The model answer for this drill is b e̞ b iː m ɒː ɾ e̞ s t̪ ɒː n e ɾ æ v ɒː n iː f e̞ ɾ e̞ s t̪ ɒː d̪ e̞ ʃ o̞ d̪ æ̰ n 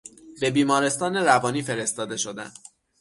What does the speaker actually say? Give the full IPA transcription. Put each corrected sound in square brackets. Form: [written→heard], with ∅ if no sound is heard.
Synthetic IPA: b e̞ b iː m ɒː ɾ e̞ s t̪ ɒː n e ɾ æ v ɒː n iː f e̞ ɾ e̞ s t̪ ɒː d̪ e̞ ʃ o̞ d̪ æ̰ n